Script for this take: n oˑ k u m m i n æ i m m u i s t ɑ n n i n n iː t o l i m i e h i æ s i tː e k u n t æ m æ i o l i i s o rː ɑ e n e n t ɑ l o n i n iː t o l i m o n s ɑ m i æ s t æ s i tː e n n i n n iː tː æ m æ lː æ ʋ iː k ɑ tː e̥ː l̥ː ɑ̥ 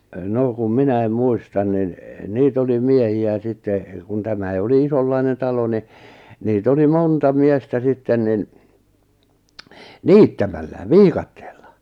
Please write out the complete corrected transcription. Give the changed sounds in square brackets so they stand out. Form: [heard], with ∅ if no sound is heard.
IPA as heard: n oˑ k u m m i n æ i m m u i s t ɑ n n i n n iː t o l i m i e h i æ s i tː e k u n t æ m æ i o l i i s o [lː] ɑ [i] n e n t ɑ l o n i n iː t o l i m o n [t] ɑ m i [e] s t æ s i tː e n n i n n iː tː æ m æ lː æ ʋ iː k ɑ tː e̥ː l̥ː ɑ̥

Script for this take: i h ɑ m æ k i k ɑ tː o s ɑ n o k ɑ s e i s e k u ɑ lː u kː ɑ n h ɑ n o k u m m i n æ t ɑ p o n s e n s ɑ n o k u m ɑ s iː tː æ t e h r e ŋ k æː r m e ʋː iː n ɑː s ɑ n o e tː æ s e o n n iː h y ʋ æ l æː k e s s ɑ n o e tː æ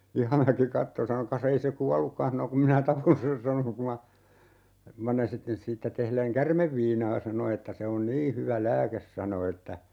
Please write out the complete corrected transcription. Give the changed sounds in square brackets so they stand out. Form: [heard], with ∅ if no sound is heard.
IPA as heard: i h ɑ m æ k i k ɑ tː o s ɑ n o k ɑ s e i s e k u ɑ lː u kː ɑ n h ɑ n o k u m m i n æ t ɑ p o n s e n s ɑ n o k u m ɑ s iː tː æ t e h [l] e ŋ k [æ] r m e ʋː iː n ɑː s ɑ n o e tː æ s e o n n iː h y ʋ æ l æː k e s s ɑ n o e tː æ

